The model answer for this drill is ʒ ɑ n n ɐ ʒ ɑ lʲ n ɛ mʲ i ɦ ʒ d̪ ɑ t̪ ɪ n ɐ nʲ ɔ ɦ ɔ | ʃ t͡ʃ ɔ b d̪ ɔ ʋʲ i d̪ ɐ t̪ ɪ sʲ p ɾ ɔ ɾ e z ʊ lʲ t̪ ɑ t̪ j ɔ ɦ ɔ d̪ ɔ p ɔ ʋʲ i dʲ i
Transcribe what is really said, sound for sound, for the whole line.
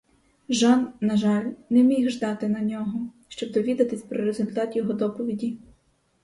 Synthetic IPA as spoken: ʒ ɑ n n ɐ ʒ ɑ lʲ n ɛ mʲ i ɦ ʒ d̪ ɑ t̪ ɪ n ɐ nʲ ɔ ɦ ɔ | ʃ t͡ʃ ɔ b d̪ ɔ ʋʲ i d̪ ɐ t̪ ɪ sʲ p ɾ ɔ ɾ e z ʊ lʲ t̪ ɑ t̪ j ɔ ɦ ɔ d̪ ɔ p ɔ ʋʲ i dʲ i